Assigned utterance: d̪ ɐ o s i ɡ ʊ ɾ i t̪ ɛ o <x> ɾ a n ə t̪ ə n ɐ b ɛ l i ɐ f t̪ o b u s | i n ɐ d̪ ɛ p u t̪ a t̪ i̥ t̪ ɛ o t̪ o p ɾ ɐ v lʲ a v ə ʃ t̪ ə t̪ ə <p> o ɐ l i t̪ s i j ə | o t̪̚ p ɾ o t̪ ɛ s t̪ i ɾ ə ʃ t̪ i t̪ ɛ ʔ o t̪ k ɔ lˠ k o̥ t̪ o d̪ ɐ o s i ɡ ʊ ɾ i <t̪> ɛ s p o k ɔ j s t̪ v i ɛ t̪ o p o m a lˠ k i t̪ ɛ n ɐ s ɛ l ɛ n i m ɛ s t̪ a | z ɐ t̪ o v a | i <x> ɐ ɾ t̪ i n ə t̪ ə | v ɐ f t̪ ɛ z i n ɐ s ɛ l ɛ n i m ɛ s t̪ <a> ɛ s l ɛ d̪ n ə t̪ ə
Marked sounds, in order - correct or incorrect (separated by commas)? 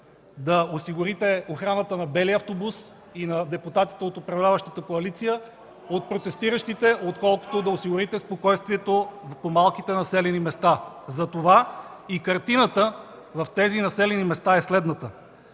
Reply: correct, incorrect, correct, incorrect, correct